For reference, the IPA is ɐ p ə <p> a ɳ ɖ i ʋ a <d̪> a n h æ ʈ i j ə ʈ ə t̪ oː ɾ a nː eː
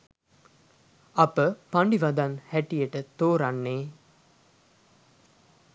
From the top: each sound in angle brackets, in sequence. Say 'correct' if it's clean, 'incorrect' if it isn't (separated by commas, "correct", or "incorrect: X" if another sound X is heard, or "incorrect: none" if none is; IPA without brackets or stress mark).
correct, correct